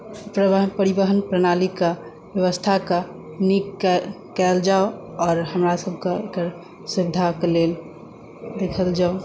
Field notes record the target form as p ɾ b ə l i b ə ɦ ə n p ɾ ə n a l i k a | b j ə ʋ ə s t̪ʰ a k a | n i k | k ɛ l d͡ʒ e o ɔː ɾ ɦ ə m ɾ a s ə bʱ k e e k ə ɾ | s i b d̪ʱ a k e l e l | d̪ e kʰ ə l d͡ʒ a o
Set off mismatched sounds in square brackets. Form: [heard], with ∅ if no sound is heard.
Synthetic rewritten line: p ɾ [p] ə [ɾ] i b ə ɦ ə n p ɾ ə n a l i k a | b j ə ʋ ə s t̪ʰ a k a | n i k | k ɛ l d͡ʒ [a] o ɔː ɾ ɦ ə m ɾ a s ə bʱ k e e k ə ɾ | s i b d̪ʱ a k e l e l | d̪ e kʰ ə l d͡ʒ a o